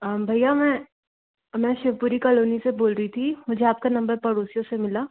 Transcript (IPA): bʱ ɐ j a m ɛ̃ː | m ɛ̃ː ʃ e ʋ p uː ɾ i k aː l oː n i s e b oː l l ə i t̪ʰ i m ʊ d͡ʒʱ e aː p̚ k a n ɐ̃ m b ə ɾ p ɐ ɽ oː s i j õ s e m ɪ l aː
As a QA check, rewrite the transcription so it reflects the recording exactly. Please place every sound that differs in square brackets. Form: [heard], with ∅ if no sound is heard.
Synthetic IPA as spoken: bʱ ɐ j a m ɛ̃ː | m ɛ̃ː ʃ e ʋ p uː ɾ i k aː l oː n i s e b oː l [ɾ] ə i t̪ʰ i m ʊ d͡ʒʱ e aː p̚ k a n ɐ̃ m b ə ɾ p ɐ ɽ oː s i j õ s e m ɪ l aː